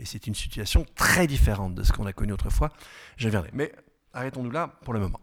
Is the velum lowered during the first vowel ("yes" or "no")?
no